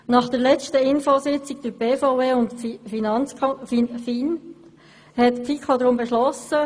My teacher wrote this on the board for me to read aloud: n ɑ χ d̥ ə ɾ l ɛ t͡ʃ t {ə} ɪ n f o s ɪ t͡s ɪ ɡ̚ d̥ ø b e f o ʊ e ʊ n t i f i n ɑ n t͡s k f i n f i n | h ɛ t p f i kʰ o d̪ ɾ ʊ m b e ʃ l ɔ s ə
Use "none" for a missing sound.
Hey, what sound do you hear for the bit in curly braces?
ə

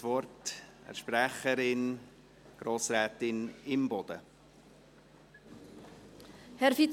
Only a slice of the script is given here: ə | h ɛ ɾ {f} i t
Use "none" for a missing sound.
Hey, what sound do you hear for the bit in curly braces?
f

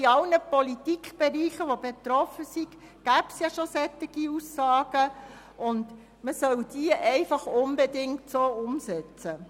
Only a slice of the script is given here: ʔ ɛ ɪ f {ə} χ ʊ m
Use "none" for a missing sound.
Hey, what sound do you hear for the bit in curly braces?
ɑ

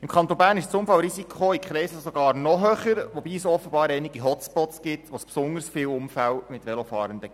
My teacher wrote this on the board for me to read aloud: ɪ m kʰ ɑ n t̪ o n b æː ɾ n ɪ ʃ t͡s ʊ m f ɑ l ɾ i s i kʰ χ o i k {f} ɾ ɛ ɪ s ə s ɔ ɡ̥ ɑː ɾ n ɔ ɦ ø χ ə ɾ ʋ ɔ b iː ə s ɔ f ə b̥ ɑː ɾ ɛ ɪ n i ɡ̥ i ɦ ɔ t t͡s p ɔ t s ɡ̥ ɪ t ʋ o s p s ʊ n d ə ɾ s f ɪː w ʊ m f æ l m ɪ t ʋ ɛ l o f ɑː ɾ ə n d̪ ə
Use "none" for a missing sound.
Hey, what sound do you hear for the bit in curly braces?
χ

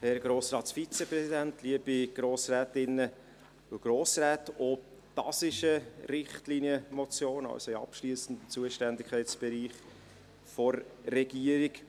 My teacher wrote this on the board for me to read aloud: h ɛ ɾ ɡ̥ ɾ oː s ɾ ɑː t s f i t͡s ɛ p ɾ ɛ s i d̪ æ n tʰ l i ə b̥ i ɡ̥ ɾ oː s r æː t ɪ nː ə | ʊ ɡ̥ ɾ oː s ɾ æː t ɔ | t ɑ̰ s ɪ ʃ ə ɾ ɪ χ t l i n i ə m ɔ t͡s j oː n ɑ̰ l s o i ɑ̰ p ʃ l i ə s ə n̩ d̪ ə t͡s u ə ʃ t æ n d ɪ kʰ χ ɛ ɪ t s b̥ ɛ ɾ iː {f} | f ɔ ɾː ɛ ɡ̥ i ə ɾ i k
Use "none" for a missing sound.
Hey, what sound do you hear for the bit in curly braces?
χ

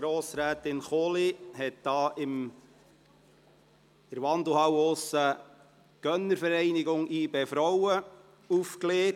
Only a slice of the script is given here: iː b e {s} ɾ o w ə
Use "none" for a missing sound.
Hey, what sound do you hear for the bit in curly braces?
f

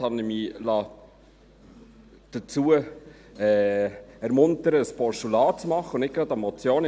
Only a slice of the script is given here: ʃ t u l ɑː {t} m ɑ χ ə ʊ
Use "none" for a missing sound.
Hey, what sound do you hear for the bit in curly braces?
t͡s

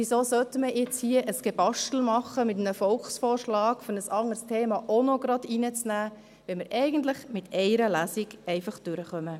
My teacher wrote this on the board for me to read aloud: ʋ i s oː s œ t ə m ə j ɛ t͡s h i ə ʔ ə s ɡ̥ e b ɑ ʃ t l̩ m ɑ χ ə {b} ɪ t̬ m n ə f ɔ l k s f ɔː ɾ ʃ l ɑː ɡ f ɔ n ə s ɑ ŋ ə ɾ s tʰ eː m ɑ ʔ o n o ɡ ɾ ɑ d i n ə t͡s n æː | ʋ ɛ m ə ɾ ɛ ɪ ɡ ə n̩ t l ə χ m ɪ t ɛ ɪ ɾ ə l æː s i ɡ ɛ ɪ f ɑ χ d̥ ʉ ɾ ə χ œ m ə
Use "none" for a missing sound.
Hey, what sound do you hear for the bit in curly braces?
m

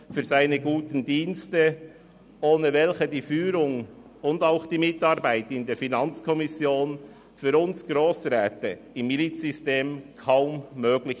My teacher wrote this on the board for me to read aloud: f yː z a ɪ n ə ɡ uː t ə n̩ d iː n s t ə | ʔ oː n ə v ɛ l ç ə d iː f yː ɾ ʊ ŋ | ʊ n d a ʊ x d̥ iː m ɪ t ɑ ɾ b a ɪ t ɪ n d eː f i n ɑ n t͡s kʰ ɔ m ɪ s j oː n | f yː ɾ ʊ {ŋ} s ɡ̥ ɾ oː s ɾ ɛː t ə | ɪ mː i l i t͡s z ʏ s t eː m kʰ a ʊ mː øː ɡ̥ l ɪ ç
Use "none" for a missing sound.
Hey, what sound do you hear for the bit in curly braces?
n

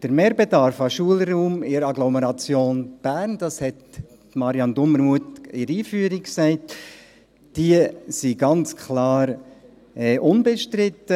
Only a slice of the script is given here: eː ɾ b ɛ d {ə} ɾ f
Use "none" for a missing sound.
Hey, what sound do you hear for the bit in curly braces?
ɑ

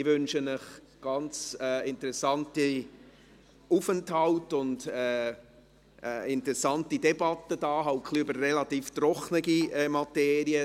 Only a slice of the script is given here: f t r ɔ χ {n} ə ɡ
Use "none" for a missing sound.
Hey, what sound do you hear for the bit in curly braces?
n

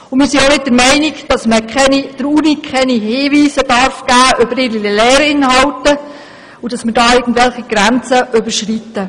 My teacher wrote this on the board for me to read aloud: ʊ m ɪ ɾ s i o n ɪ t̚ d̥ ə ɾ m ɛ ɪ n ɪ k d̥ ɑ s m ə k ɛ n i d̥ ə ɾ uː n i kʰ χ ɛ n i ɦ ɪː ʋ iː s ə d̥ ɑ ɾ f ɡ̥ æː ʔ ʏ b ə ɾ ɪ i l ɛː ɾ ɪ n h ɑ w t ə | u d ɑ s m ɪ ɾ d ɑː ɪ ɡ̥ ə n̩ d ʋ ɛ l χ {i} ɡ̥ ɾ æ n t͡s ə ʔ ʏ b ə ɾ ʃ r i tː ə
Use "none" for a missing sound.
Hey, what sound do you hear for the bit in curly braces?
i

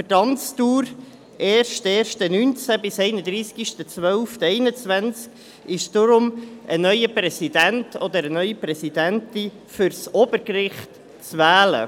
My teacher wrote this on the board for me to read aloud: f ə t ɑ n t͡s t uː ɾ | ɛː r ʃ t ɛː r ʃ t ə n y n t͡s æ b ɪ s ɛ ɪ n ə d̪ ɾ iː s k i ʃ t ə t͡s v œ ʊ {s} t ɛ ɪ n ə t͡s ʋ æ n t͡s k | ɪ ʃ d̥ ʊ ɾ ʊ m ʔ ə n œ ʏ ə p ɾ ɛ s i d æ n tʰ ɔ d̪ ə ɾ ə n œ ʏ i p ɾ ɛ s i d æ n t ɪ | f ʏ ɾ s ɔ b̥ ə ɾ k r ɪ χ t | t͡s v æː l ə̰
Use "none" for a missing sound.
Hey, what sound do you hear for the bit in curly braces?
f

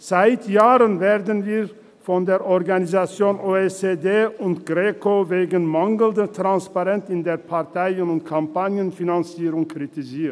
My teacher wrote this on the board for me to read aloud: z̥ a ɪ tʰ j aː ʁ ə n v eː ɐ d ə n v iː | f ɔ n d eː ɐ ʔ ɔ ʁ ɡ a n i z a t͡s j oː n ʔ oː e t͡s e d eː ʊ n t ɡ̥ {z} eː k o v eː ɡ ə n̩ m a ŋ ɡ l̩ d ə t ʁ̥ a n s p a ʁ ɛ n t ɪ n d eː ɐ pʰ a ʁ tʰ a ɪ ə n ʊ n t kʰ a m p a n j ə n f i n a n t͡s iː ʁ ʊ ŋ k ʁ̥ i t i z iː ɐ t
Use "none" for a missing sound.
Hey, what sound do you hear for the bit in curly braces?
ʁ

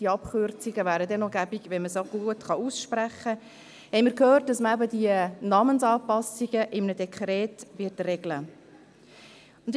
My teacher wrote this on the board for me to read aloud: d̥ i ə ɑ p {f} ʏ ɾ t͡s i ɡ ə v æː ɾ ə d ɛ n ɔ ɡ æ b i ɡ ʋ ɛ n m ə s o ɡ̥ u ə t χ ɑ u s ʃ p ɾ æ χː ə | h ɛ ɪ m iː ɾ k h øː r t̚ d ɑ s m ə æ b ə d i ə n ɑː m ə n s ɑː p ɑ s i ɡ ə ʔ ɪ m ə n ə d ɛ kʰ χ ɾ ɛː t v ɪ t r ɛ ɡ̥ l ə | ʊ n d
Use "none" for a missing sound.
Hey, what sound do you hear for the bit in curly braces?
χ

